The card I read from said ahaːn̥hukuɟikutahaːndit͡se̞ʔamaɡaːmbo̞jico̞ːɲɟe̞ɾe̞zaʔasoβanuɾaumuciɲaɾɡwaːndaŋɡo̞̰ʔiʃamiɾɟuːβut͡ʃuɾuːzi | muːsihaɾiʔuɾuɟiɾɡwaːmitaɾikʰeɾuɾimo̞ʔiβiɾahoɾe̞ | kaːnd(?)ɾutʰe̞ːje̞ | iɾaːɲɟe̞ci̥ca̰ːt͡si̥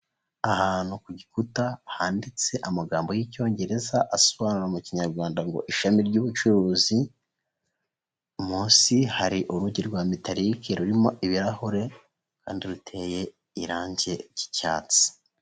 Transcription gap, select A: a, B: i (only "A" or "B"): B